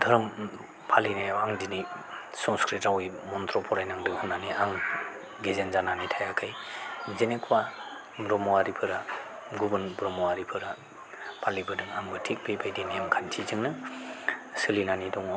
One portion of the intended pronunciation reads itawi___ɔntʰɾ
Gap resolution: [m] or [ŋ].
m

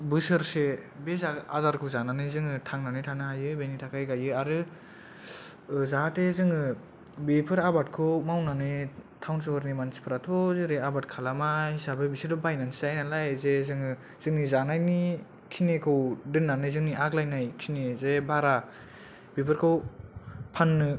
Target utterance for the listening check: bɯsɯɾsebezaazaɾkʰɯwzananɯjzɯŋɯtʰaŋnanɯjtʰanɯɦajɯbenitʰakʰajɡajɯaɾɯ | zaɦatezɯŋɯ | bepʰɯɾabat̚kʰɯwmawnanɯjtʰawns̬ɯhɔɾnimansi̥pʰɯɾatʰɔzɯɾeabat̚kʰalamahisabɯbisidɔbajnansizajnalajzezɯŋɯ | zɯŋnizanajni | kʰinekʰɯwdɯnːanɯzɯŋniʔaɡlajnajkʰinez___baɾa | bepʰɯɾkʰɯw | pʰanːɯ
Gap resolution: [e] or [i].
e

